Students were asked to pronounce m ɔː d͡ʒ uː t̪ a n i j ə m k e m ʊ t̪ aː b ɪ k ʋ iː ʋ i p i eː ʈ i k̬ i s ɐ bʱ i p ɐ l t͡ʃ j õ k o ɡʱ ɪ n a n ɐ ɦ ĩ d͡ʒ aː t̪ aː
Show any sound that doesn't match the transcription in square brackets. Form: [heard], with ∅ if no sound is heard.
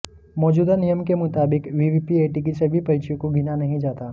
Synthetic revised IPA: m ɔː d͡ʒ uː [d̪] a n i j ə m k e m ʊ t̪ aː b ɪ k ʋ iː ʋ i p i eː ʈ i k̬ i s ɐ bʱ i p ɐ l t͡ʃ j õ k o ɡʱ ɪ n a n ɐ ɦ ĩ d͡ʒ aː t̪ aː